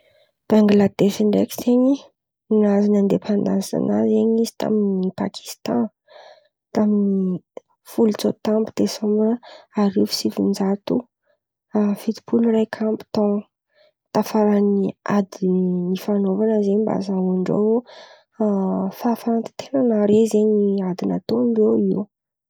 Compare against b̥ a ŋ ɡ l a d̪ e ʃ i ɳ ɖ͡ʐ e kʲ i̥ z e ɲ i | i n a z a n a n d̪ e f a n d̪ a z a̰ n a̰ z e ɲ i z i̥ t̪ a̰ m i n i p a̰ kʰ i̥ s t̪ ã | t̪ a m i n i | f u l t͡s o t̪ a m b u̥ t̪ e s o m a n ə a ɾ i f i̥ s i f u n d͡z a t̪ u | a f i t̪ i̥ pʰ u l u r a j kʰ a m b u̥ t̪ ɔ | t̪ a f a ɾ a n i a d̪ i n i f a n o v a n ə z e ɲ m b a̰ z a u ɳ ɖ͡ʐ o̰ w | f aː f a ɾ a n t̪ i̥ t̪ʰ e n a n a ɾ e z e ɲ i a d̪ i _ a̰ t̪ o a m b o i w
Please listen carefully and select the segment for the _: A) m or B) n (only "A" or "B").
B